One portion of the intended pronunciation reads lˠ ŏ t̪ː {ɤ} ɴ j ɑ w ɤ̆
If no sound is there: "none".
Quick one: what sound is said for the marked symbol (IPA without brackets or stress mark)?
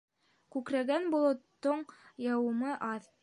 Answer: o